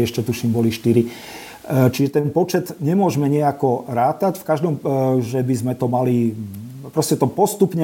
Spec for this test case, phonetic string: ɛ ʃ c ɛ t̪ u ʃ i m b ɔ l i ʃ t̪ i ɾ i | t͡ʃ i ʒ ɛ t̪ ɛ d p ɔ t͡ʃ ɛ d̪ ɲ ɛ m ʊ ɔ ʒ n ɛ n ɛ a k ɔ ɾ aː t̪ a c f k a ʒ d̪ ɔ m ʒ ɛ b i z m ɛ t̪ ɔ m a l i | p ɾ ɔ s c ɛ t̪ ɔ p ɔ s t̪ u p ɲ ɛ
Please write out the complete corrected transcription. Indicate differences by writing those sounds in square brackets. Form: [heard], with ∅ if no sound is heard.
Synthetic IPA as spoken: ɛ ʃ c ɛ t̪ u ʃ i m b ɔ l i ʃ t̪ i ɾ i | t͡ʃ i ʒ ɛ t̪ ɛ [n] p ɔ t͡ʃ ɛ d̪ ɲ ɛ m ʊ ɔ ʒ [m] ɛ [ɲ] ɛ a k ɔ ɾ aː t̪ a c f k a ʒ d̪ ɔ m ʒ ɛ b i z m ɛ t̪ ɔ m a l i | p ɾ ɔ s c ɛ t̪ ɔ p ɔ s t̪ u p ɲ ɛ